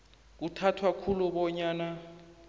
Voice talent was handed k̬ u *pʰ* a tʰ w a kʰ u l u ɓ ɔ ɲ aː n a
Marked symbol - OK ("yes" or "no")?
no